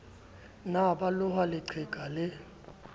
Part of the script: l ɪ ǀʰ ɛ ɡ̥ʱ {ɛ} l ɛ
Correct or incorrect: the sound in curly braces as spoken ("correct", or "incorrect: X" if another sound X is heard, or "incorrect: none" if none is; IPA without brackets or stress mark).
incorrect: a